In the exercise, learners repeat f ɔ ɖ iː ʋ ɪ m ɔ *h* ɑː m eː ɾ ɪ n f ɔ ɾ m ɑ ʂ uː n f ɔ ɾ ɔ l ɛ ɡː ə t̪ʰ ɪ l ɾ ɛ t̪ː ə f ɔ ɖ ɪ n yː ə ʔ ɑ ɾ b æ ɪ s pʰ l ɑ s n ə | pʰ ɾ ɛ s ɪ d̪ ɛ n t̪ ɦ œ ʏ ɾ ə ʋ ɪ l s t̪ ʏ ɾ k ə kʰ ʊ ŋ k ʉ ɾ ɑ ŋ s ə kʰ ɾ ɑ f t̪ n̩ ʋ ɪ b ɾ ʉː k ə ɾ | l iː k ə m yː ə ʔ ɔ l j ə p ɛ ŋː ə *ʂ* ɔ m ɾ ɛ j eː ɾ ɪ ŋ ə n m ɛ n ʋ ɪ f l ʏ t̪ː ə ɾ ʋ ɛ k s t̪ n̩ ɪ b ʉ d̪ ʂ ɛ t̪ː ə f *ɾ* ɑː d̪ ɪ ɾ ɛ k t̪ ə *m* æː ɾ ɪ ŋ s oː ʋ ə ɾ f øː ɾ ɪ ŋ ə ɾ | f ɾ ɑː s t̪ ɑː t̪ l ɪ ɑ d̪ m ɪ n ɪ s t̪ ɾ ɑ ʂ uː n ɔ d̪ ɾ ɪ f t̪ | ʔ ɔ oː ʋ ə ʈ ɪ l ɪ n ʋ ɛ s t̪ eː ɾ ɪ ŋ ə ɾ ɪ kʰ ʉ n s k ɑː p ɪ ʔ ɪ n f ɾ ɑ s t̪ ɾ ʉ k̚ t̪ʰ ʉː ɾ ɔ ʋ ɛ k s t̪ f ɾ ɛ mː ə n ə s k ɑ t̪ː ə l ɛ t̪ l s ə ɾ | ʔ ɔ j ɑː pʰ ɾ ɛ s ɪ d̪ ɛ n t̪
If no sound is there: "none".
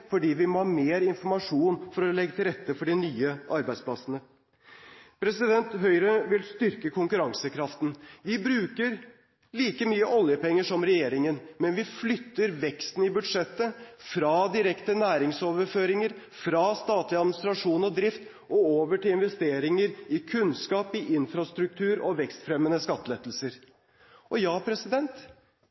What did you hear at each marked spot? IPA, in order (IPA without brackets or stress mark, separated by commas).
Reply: h, ʂ, ɾ, n